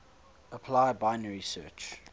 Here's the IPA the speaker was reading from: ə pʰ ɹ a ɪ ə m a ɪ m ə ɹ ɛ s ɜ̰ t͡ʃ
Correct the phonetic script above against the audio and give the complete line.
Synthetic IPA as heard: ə pʰ l a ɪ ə b a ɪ n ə ɹ i s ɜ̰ t͡ʃ